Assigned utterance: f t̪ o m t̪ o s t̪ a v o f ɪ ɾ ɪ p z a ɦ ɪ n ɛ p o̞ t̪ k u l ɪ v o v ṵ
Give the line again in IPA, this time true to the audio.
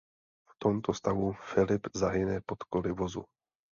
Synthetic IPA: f t̪ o m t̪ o s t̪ a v u f ɪ l ɪ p z a ɦ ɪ n ɛ p o̞ t̪ k o l ɪ v o z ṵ